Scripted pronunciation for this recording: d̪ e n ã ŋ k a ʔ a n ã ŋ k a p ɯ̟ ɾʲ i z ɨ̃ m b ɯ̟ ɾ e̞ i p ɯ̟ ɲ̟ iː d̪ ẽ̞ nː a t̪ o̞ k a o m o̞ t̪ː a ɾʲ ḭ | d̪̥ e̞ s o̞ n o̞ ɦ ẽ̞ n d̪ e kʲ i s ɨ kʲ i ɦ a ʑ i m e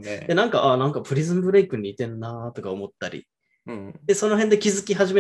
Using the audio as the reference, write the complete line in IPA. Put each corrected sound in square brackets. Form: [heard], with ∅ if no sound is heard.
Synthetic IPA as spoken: d̪ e n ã ŋ k a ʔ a n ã ŋ k a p ɯ̟ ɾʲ i z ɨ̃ m b ɯ̟ ɾ e̞ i [k] ɯ̟ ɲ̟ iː [t̪] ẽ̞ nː a t̪ o̞ k a o m o̞ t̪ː a ɾʲ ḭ | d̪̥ e̞ s o̞ n o̞ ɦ ẽ̞ n d̪ e kʲ i [z] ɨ kʲ i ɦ a ʑ i m e